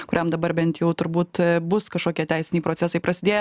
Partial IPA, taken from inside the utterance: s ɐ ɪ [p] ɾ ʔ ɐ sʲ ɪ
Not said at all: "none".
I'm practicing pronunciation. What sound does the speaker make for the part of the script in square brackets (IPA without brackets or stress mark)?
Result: p